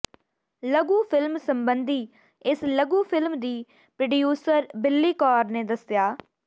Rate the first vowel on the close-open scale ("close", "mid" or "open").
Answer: mid